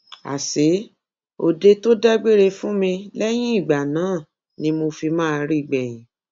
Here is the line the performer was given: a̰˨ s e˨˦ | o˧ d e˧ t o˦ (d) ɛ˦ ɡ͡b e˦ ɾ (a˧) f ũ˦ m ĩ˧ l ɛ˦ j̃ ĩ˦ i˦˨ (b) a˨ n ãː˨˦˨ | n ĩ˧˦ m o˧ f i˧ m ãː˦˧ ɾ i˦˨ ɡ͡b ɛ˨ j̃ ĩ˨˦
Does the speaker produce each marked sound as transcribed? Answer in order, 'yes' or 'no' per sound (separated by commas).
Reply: yes, no, no